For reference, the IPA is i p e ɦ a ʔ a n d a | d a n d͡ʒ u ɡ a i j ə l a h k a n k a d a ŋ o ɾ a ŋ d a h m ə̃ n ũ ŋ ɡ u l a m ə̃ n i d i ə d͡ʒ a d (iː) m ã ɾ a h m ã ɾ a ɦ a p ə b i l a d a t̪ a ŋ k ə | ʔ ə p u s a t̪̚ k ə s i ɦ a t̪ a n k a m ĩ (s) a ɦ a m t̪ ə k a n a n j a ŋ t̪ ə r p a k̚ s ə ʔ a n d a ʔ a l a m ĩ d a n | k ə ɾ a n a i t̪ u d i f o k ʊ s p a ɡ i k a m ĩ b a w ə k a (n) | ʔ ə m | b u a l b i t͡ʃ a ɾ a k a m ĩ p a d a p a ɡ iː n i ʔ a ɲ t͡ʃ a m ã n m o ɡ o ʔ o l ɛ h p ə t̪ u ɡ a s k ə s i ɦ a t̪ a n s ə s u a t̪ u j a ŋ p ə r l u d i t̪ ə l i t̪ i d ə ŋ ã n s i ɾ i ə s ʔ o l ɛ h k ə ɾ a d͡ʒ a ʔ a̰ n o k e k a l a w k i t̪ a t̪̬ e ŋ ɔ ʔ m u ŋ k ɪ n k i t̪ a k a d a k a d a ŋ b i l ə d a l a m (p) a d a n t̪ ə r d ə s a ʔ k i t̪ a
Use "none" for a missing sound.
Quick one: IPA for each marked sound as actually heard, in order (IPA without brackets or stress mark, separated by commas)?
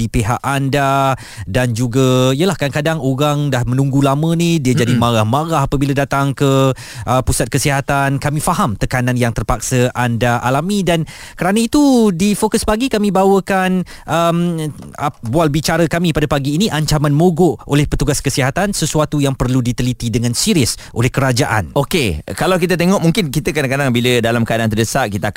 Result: i, f, n, k